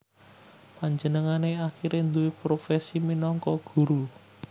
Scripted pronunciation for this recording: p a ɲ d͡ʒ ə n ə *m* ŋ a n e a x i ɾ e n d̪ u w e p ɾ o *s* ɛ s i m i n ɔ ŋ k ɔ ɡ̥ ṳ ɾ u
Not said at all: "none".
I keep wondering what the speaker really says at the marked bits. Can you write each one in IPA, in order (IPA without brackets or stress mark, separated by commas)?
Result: none, f